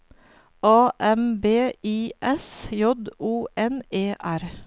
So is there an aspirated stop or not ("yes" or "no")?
no